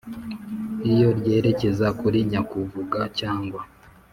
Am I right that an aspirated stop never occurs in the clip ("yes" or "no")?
yes